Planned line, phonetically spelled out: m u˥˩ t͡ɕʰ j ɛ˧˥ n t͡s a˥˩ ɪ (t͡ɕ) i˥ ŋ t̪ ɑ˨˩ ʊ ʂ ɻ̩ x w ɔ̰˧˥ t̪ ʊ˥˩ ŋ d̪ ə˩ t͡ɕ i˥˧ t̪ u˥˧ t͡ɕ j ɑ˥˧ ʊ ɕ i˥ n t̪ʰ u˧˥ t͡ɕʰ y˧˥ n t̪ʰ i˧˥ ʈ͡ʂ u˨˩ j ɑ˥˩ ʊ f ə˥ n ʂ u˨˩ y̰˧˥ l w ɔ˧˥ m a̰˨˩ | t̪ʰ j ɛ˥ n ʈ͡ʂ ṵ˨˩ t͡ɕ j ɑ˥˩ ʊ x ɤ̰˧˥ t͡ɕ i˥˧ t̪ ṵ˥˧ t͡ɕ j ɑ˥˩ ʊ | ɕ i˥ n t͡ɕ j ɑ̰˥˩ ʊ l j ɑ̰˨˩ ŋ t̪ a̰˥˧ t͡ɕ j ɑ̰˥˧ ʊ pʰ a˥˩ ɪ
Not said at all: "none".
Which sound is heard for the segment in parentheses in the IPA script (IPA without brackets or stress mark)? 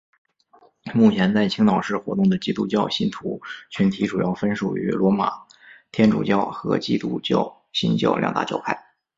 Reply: t͡ɕʰ